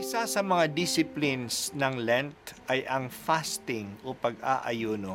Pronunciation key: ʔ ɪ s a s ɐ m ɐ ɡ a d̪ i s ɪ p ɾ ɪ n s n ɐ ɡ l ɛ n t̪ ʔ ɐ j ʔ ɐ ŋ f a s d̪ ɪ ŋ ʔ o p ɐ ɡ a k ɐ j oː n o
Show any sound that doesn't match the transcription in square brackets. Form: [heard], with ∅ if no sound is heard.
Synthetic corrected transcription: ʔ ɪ s a s ɐ m ɐ [ŋ] a d̪ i s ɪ p [l] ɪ n s n ɐ [ŋ] l ɛ n t̪ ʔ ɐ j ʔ ɐ ŋ f a s [t̪] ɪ ŋ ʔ o p ɐ ɡ a [ʔ] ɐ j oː n o